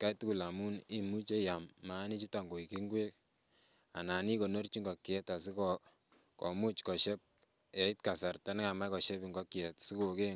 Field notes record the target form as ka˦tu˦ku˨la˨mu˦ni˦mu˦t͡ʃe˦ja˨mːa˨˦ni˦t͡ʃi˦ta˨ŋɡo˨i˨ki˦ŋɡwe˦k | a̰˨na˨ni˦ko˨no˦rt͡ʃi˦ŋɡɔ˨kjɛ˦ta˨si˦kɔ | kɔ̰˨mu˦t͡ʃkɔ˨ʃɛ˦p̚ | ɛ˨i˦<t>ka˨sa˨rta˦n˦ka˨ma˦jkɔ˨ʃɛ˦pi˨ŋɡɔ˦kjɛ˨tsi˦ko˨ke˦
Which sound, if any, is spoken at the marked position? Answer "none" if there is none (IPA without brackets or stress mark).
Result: t